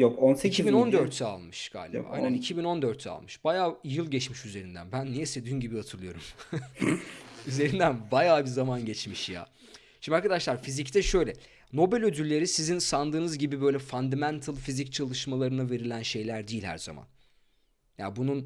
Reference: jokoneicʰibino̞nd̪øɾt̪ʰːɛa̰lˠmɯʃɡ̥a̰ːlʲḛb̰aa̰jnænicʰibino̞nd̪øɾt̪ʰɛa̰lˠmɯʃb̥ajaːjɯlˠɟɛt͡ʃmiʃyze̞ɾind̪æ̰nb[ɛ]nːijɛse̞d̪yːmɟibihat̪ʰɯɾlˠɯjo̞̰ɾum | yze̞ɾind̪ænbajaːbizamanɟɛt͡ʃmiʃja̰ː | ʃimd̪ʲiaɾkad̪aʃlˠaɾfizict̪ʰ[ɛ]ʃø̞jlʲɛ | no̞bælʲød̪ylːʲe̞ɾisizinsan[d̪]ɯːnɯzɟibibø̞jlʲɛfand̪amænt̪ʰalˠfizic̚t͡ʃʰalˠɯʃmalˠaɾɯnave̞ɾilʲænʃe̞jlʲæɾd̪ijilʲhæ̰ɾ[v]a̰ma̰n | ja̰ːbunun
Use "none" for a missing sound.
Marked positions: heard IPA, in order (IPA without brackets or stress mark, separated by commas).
æ, ɛ, d̪, z